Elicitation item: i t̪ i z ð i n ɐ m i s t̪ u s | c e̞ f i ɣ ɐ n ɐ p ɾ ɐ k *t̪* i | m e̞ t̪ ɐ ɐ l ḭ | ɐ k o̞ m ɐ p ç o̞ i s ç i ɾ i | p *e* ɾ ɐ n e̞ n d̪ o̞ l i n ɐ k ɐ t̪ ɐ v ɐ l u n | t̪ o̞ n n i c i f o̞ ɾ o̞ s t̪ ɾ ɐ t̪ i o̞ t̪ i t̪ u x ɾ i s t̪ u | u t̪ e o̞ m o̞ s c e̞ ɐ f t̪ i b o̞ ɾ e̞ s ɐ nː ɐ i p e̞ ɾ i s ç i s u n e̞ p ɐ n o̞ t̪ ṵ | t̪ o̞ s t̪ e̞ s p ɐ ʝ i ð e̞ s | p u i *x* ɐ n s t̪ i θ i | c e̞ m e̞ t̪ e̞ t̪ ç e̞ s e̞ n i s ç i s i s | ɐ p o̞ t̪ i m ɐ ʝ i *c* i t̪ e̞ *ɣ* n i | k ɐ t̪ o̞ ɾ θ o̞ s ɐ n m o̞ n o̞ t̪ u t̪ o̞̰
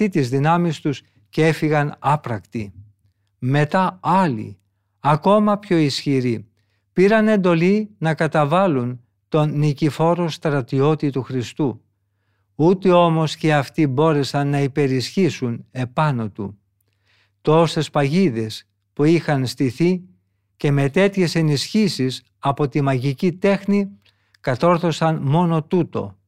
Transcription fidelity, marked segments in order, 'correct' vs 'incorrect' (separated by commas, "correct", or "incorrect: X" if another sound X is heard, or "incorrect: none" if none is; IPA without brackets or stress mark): correct, incorrect: i, correct, correct, incorrect: x